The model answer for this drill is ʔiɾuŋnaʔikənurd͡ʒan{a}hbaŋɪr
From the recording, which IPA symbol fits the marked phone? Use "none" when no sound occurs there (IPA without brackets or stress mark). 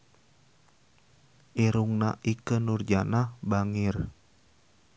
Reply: a